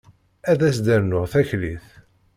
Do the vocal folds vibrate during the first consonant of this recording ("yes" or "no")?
yes